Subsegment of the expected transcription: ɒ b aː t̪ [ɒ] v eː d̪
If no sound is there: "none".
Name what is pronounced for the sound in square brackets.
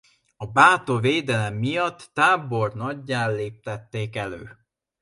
o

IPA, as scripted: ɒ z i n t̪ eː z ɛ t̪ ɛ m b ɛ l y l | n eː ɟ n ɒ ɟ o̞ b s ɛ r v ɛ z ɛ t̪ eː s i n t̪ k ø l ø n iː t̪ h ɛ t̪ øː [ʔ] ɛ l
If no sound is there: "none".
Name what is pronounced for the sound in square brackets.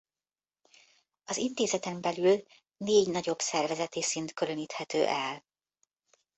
ʔ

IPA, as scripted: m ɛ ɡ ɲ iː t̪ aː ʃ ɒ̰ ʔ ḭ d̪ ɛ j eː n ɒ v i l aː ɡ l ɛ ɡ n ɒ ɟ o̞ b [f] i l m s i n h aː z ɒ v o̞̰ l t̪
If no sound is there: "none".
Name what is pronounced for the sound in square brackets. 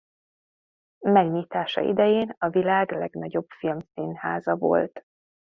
f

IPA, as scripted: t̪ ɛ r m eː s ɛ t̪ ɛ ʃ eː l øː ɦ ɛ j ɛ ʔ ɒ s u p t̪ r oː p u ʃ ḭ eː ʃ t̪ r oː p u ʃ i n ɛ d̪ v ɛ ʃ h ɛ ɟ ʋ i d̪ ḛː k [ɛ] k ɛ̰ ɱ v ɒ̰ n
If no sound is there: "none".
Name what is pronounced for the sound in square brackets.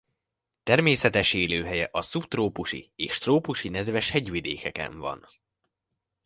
ɛ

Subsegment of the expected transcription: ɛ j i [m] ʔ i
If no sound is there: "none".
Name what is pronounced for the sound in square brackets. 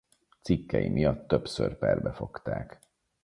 m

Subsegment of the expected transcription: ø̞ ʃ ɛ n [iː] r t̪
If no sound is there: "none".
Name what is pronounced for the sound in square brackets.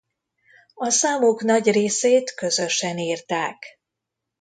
iː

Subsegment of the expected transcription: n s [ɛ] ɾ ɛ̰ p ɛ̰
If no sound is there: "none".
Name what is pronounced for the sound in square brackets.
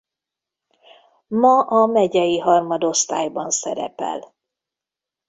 ɛ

